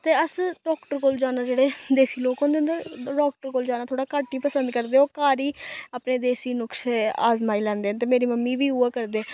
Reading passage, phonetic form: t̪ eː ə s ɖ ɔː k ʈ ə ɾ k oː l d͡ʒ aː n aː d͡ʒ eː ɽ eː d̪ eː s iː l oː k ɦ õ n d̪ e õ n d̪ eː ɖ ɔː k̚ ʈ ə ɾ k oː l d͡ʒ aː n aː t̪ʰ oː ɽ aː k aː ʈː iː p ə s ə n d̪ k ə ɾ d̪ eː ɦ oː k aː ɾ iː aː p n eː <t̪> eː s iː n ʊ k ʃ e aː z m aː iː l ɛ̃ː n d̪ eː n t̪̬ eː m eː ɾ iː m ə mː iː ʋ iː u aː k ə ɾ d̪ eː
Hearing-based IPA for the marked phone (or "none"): d̪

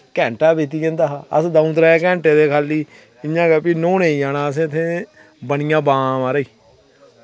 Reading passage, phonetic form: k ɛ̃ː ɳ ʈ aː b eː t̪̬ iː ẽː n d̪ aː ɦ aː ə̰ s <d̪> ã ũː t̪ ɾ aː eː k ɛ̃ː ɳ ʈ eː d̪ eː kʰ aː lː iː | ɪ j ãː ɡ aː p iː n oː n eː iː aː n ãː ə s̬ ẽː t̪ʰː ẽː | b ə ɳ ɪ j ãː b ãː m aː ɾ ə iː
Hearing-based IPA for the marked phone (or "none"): d̪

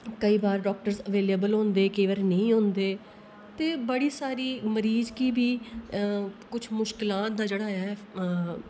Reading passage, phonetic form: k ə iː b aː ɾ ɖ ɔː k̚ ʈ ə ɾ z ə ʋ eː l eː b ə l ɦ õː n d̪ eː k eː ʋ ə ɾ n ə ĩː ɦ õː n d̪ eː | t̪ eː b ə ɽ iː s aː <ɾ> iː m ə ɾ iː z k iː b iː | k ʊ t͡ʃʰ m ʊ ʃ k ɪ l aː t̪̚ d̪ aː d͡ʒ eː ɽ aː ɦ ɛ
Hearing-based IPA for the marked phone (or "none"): ɾ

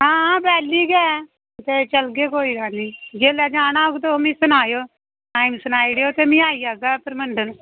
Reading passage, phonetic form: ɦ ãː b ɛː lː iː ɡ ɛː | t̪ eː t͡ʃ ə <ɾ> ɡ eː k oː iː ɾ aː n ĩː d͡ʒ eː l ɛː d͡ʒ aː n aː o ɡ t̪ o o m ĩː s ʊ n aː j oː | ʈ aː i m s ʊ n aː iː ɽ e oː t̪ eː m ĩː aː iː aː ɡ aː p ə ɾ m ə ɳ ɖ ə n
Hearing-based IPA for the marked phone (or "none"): l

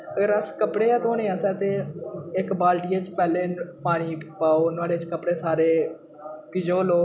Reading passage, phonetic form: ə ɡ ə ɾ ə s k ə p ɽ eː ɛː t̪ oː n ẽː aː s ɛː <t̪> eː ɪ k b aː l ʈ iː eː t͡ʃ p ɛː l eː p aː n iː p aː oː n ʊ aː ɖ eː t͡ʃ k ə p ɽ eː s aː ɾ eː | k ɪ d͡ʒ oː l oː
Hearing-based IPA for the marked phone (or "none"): t̪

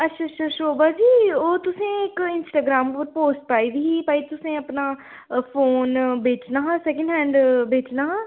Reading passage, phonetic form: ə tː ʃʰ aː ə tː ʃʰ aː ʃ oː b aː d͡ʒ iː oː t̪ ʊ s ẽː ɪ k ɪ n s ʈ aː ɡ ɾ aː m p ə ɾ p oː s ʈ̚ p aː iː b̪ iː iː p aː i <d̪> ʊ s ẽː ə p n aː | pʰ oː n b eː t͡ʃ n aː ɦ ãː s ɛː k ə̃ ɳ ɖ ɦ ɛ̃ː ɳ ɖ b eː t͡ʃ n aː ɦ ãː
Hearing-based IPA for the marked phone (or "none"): t̪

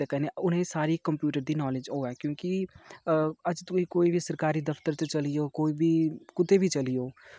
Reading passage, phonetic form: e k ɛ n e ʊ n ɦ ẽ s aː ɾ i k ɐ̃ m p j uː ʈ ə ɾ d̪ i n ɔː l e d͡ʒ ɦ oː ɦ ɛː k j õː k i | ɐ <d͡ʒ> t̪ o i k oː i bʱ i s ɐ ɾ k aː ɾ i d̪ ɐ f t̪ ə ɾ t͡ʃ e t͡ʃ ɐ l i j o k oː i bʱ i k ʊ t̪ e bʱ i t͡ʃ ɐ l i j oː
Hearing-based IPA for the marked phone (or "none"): d͡ʒ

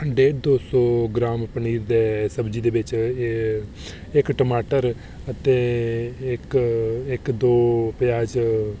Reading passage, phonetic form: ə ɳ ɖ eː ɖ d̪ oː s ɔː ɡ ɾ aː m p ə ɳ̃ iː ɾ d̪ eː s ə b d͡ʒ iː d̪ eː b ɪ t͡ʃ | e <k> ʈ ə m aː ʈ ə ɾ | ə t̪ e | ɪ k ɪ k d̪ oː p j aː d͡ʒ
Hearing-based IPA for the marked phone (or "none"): k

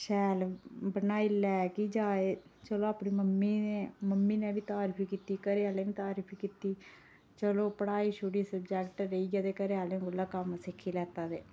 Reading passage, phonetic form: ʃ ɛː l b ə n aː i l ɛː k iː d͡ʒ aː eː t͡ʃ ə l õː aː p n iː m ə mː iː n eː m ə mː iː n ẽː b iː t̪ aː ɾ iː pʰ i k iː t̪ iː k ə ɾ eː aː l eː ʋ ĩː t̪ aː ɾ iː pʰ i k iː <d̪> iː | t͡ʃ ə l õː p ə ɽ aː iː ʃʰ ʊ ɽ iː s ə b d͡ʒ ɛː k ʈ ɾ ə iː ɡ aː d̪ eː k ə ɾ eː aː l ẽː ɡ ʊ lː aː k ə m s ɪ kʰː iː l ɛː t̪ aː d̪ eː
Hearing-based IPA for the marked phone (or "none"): t̪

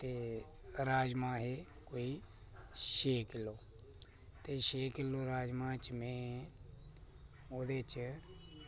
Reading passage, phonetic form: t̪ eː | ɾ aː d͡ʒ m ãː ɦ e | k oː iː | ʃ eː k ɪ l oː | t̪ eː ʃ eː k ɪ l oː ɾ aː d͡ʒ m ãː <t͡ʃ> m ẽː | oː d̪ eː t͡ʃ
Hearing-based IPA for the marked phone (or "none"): t͡ʃ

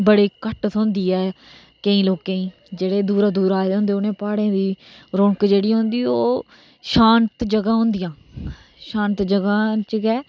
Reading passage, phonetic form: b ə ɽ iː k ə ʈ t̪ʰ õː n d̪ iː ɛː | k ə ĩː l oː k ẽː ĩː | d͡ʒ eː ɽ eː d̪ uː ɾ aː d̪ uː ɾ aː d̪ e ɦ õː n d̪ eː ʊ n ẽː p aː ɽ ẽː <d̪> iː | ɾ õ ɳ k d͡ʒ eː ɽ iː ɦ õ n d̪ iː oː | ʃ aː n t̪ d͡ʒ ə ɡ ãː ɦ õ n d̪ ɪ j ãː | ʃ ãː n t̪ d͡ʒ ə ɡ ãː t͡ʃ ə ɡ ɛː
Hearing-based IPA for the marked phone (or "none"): d̪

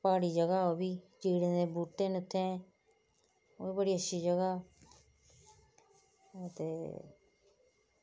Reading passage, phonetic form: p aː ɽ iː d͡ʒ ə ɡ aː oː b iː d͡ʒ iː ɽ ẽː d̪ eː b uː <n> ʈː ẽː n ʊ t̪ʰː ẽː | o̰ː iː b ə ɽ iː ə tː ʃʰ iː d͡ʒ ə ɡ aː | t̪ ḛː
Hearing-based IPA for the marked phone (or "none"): none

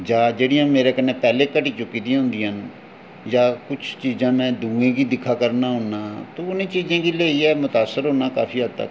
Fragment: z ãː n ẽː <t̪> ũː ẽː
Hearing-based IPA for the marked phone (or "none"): d̪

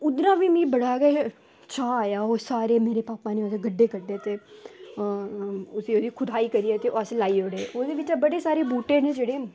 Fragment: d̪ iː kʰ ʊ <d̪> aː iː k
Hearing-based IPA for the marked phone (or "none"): d̪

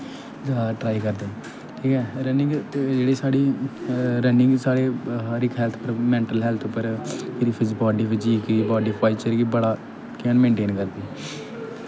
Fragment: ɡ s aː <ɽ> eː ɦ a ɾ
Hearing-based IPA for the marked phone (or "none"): ɽ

